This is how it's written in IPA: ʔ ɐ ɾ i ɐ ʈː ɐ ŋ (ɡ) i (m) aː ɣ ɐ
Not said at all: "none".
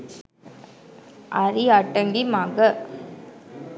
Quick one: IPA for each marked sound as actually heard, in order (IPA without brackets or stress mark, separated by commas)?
ɡ, m